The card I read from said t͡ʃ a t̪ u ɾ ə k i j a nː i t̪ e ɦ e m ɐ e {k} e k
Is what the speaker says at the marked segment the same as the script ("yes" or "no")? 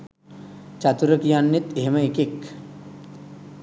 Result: yes